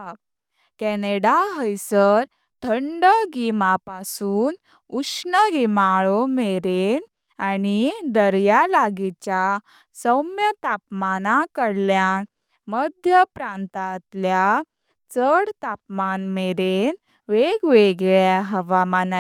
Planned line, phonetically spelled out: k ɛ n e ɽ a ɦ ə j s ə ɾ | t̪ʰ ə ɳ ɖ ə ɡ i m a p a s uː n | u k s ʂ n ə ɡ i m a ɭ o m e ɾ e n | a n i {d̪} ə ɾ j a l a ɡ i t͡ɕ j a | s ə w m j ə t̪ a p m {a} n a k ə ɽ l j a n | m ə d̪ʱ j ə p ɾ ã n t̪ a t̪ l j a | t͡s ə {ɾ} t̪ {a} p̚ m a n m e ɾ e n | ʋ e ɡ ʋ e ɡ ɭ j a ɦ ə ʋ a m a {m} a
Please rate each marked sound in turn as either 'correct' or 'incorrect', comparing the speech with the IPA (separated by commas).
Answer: correct, correct, incorrect, correct, incorrect